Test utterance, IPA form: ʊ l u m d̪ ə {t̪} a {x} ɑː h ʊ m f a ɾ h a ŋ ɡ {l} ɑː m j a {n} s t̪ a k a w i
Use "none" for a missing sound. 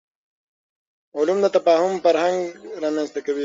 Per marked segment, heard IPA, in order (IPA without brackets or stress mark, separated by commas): t̪, f, ɾ, n